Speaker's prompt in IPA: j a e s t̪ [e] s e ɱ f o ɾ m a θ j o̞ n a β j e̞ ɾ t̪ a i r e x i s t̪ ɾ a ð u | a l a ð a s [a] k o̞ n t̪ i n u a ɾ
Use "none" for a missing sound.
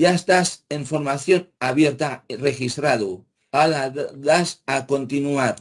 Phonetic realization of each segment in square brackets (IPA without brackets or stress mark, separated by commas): a, a